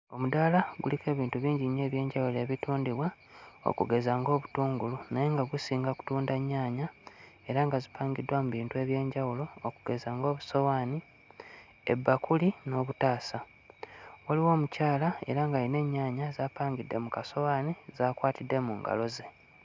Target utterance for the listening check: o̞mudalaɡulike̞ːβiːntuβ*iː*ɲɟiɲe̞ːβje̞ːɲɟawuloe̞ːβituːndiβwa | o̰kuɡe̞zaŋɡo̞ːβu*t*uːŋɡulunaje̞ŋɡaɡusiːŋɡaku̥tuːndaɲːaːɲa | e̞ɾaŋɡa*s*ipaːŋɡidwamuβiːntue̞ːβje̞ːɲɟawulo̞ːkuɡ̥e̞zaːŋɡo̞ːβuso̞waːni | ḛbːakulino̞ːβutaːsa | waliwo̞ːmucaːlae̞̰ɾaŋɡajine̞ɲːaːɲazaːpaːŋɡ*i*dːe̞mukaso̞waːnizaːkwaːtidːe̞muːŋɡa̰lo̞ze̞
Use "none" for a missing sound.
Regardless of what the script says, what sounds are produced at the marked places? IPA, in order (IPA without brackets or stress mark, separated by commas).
iː, t, z, i